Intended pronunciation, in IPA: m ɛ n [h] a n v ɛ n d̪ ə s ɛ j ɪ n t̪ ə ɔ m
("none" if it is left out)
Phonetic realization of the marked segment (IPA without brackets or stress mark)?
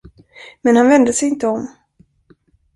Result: h